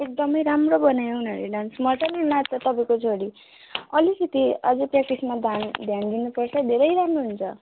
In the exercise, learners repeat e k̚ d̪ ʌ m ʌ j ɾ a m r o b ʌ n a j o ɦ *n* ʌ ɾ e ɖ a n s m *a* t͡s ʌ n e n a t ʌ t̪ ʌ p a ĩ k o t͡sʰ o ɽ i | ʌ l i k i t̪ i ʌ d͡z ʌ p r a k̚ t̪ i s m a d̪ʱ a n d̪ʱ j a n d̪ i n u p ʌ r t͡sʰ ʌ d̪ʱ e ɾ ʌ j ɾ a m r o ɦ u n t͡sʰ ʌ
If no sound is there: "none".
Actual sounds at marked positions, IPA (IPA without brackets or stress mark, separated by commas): n, ʌ